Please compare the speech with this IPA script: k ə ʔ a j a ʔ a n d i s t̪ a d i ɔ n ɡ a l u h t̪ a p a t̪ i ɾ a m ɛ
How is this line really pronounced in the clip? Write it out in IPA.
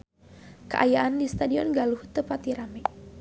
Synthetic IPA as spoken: k ə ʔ a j a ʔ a n d i s t̪ a d i ɔ n ɡ a l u h t̪ ə p a t̪ i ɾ a m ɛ